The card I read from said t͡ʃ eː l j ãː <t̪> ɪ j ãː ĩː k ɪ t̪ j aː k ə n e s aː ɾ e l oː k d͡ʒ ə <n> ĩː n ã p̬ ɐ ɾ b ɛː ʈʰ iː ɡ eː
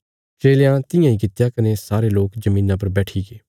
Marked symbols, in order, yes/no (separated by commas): yes, no